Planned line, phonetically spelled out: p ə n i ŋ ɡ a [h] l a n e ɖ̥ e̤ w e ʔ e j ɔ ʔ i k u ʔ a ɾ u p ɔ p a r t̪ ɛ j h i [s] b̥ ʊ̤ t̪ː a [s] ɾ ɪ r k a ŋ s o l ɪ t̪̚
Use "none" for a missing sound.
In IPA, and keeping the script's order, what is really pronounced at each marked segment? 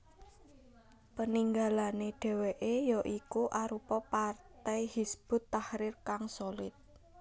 none, s, h

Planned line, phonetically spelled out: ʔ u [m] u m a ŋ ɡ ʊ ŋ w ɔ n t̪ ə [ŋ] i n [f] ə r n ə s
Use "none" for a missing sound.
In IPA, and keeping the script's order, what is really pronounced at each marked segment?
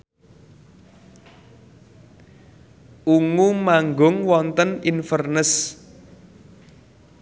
ŋ, n, f

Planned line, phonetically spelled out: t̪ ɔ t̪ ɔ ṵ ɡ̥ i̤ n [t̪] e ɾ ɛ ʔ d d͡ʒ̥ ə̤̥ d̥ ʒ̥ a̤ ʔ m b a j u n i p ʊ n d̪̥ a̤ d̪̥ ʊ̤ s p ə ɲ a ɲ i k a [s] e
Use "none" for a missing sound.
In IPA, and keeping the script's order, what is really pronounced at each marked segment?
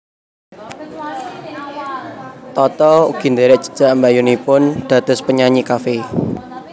d̪, f

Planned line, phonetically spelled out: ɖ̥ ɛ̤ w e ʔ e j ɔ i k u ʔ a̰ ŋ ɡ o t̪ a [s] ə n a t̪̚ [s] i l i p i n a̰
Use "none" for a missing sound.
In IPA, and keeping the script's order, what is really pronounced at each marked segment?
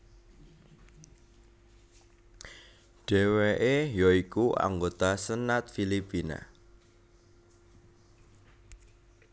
s, f

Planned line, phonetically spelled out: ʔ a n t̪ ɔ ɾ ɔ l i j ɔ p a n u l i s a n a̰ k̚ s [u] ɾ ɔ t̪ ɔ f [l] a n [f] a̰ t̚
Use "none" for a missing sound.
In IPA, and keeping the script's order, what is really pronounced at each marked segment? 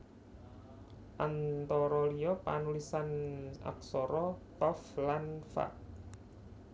ɔ, l, f

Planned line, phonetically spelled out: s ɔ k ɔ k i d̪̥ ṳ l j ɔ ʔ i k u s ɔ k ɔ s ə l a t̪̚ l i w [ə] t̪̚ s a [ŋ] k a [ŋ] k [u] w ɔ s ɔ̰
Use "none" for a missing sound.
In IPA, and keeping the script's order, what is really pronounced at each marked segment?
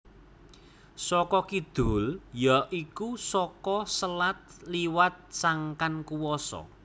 a, ŋ, n, u

